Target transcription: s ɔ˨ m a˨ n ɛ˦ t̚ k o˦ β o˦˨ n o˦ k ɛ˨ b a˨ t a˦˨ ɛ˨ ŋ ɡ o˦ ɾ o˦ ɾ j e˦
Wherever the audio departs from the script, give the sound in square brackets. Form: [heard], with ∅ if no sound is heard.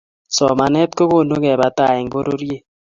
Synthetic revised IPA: s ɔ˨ m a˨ n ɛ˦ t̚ k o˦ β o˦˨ n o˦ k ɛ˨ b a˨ t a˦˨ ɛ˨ ŋ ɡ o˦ ɾ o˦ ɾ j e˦